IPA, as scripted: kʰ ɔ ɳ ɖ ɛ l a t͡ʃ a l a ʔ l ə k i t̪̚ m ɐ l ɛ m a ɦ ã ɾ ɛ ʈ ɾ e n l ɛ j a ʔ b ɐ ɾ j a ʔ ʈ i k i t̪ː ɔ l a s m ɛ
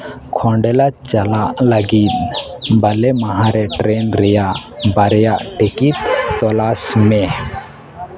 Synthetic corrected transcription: kʰ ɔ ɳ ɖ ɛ l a t͡ʃ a l a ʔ l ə ɡ i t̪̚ b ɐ l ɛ m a ɦ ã ɾ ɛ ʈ ɾ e n ɾ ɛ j a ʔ b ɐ ɾ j a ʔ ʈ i k i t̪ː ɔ l a s m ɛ